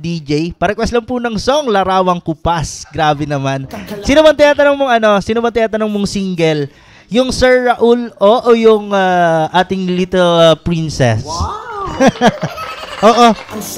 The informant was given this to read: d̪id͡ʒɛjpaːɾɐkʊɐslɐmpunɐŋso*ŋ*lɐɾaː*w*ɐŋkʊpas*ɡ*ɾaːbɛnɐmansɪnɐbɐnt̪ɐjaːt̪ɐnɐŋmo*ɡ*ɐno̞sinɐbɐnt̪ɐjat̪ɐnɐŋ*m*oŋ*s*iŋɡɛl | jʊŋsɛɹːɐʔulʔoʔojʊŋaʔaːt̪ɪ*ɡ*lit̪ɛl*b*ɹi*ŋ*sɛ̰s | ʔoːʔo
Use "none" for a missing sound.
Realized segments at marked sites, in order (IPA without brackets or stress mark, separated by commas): ŋ, w, ɡ, ŋ, m, s, ŋ, p, n